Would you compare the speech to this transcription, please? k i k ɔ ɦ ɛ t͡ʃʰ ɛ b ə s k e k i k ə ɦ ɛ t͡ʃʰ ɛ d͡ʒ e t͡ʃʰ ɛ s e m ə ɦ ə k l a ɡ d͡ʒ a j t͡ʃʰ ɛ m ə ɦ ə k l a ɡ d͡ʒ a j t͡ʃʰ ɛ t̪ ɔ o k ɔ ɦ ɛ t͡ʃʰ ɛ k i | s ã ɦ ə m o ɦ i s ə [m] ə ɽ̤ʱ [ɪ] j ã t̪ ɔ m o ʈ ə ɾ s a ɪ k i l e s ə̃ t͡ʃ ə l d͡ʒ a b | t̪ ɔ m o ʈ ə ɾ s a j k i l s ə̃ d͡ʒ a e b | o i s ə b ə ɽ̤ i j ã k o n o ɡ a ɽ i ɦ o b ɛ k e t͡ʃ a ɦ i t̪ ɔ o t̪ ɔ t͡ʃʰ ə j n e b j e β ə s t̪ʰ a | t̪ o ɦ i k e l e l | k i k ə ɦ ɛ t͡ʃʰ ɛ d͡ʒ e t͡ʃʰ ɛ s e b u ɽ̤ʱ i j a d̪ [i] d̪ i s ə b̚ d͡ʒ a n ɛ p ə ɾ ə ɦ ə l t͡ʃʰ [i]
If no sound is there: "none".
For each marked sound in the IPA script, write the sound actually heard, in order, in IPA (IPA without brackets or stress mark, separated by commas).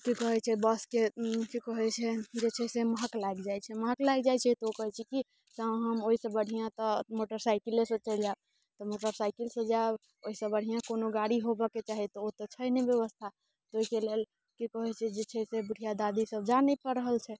b, i, a, ɛ